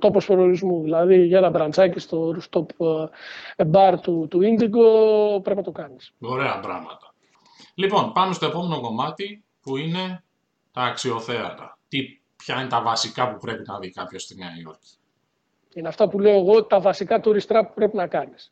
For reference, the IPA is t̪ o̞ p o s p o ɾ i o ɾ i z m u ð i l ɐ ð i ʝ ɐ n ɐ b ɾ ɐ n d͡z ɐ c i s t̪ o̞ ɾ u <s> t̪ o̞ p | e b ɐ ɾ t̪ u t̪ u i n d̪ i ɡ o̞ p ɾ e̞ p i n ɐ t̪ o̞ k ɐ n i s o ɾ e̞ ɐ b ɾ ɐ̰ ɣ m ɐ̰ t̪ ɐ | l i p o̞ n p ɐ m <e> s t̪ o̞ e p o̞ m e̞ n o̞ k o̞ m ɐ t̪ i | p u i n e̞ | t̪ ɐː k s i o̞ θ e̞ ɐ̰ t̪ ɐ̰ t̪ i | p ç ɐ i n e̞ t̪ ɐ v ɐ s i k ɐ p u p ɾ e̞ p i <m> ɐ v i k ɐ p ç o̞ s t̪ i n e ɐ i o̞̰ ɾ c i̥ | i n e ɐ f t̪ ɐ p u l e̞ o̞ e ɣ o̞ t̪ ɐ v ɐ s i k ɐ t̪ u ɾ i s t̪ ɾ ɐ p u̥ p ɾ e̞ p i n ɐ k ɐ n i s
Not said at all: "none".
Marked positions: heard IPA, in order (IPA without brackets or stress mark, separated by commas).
s, e, n